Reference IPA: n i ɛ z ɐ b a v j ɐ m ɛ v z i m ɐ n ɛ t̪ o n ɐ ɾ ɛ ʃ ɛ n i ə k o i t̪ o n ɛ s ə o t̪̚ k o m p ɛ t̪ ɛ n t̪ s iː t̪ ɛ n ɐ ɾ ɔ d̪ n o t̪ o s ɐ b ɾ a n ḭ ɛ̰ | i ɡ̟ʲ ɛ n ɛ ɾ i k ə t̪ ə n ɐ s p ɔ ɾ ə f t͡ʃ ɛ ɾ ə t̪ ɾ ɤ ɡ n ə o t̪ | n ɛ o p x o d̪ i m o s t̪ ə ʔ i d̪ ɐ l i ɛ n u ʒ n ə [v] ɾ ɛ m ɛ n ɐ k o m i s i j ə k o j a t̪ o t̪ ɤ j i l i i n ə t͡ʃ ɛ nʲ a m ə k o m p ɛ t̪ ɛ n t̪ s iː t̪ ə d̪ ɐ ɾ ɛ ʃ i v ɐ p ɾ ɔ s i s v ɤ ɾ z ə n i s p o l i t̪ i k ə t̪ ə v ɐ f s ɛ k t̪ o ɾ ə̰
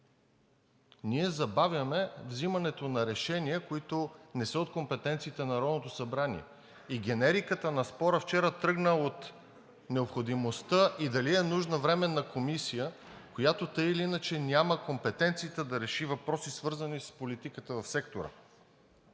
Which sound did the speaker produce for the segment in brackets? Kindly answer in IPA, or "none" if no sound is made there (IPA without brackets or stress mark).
v